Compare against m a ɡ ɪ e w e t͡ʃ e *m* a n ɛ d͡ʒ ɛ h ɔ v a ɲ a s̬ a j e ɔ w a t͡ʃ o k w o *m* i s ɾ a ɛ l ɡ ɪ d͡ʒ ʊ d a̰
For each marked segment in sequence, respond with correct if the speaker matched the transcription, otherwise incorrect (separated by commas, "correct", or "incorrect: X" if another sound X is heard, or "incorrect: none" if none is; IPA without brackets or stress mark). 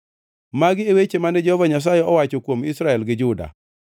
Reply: correct, correct